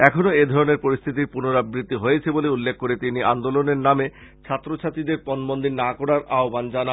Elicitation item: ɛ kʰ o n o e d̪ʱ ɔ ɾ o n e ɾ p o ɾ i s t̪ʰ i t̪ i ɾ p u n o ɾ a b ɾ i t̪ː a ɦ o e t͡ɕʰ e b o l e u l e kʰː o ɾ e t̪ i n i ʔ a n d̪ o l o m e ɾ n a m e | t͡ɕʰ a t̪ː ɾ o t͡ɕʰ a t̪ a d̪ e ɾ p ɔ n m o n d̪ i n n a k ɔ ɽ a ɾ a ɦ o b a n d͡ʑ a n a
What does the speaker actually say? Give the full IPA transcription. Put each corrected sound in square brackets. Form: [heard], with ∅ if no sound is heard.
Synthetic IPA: ɛ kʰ o n o e d̪ʱ ɔ ɾ o n e ɾ p o ɾ i s t̪ʰ i t̪ i ɾ p u n o ɾ a b ɾ i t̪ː [i] ɦ o e t͡ɕʰ e b o l e u [lː] e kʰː o ɾ e t̪ i n i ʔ a n d̪ o l o [n] e ɾ n a m e | t͡ɕʰ a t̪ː ɾ o t͡ɕʰ a t̪ [i] d̪ e ɾ p ɔ n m o n d̪ i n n a k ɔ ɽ a ɾ a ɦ o b a n d͡ʑ a n a